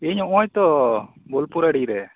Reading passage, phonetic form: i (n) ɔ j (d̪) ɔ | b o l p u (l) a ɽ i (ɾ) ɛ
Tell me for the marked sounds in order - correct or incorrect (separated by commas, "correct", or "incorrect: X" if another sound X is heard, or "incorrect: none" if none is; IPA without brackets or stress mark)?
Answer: incorrect: ɲ, incorrect: t̪, incorrect: ɾ, correct